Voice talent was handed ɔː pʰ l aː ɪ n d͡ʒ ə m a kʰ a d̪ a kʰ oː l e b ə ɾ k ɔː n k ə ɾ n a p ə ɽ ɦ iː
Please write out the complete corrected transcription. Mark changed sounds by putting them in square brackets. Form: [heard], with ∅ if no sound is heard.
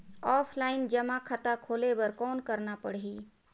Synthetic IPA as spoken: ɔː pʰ l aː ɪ n d͡ʒ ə m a kʰ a [t̪] a kʰ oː l e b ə ɾ k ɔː n k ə ɾ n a p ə ɽ ɦ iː